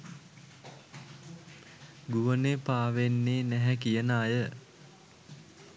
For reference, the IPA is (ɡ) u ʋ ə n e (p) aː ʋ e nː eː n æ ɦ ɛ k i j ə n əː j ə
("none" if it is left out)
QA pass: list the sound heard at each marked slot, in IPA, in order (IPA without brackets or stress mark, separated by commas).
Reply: ɡ, p